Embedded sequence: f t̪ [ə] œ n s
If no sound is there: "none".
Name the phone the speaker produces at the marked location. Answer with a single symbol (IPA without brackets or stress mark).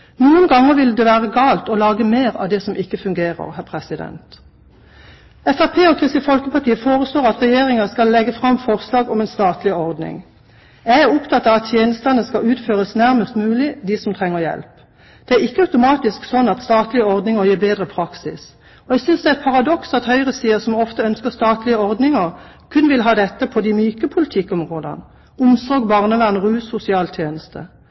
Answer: ə